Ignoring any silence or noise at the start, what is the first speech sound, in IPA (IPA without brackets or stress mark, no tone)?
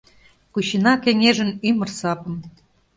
k